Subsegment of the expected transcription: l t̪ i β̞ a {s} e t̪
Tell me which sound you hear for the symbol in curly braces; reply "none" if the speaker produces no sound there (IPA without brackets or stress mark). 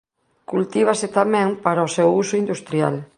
s